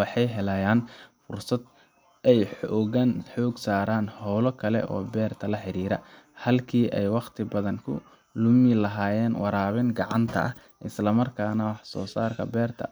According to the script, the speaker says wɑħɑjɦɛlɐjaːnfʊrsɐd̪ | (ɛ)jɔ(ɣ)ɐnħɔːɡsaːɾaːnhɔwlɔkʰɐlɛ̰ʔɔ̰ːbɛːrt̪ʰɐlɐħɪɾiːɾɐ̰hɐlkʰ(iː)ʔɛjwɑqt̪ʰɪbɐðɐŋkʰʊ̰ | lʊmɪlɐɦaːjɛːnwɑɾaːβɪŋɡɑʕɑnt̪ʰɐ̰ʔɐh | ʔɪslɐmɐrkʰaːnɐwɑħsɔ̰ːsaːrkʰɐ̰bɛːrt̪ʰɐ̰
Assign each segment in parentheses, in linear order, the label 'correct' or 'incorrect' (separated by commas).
correct, correct, correct